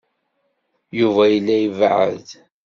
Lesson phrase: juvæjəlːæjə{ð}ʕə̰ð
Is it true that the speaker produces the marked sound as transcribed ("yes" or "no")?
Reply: no